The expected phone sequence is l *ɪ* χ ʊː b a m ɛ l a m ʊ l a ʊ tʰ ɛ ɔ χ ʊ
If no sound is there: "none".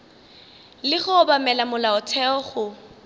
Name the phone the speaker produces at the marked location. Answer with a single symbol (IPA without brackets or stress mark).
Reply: ɪ